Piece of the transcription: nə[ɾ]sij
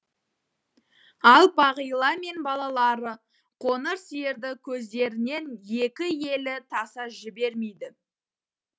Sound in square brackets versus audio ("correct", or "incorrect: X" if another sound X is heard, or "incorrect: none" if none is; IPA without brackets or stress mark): correct